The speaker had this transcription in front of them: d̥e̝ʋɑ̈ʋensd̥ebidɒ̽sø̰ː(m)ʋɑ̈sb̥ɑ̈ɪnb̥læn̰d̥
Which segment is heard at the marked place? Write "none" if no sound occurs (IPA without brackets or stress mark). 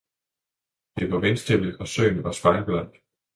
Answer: n